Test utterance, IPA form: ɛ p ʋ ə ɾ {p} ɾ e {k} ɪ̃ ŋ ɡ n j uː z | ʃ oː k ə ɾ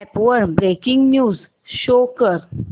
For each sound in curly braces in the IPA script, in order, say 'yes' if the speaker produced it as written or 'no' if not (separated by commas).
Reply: no, yes